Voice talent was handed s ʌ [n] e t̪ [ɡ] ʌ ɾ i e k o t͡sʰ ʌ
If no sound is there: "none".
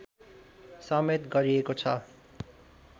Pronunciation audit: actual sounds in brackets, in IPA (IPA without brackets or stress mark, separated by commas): m, ɡ